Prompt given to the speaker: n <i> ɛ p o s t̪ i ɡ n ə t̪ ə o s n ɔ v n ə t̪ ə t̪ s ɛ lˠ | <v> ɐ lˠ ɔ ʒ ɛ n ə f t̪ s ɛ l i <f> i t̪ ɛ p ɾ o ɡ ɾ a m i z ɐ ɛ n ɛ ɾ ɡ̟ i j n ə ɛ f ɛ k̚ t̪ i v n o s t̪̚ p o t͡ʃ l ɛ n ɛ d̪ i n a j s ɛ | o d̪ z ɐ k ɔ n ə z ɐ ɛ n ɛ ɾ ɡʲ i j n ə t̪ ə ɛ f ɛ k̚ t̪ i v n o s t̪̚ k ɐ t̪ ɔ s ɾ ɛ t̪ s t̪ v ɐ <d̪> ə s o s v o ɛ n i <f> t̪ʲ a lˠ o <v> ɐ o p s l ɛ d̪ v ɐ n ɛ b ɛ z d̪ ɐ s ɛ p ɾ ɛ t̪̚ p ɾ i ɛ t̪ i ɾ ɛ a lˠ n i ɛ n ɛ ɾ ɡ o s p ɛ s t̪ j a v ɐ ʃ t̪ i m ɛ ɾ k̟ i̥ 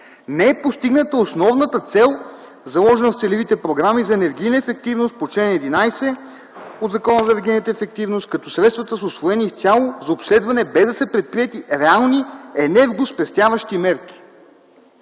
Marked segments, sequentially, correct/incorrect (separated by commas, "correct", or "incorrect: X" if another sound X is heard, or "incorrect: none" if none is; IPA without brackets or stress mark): incorrect: ɛ, incorrect: z, incorrect: v, incorrect: t̪, correct, incorrect: z